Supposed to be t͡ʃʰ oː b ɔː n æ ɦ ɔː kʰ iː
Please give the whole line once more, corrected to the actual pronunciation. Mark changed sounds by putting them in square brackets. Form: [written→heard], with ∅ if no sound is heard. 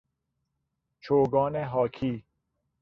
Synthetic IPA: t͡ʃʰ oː [b→ɡ] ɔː n [æ→e] ɦ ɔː kʰ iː